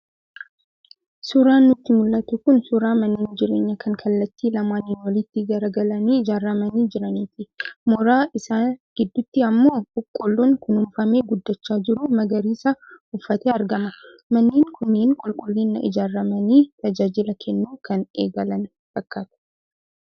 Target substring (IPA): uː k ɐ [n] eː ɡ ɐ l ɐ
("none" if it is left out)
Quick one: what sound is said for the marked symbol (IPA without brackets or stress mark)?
n